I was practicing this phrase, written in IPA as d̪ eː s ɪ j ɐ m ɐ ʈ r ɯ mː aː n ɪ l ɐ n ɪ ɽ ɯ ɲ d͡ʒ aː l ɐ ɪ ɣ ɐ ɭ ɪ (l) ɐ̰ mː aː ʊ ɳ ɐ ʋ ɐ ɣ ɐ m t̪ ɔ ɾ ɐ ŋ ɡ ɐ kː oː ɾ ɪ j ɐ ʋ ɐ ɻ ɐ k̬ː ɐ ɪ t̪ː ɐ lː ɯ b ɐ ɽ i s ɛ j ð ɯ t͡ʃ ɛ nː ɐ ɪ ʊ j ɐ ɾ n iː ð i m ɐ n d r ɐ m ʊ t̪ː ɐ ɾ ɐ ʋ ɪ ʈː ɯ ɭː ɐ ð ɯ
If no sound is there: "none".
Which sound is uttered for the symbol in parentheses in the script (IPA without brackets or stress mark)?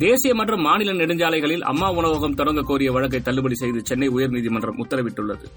l